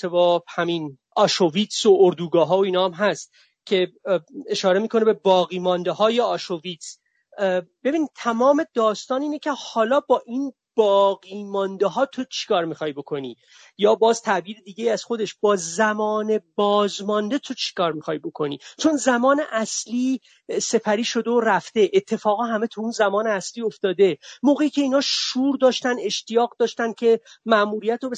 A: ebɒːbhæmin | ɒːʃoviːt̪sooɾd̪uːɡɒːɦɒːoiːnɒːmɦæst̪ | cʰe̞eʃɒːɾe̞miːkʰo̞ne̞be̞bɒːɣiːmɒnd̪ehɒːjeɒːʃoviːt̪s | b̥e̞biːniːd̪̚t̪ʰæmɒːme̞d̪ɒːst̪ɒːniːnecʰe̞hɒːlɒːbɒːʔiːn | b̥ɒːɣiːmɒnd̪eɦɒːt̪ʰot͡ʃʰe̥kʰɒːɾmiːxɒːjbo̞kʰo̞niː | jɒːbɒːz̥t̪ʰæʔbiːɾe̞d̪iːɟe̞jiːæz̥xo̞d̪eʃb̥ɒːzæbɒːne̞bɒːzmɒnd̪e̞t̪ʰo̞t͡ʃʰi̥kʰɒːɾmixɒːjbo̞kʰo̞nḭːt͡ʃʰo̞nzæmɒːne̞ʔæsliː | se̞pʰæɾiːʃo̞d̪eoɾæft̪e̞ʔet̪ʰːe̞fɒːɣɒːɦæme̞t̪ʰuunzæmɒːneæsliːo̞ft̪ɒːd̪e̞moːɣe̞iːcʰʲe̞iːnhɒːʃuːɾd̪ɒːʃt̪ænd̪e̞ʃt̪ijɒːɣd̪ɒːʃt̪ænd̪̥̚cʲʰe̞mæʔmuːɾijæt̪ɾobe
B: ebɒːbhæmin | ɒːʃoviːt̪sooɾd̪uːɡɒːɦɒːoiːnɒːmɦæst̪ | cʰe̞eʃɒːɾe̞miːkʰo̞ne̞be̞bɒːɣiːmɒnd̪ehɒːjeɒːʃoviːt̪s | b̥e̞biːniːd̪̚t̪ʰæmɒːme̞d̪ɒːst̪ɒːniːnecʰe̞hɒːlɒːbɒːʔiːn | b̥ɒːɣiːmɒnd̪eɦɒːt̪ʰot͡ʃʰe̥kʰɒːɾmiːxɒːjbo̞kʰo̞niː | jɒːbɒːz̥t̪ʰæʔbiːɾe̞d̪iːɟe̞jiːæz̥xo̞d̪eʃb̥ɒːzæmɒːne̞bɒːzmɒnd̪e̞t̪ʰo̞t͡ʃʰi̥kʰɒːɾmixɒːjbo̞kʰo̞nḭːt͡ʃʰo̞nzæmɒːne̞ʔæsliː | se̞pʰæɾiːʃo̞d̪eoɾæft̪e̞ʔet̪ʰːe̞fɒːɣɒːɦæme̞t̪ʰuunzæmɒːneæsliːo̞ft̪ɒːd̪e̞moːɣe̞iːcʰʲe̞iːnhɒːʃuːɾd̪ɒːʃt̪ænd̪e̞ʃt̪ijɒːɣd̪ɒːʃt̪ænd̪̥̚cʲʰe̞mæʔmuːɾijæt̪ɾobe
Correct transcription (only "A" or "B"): B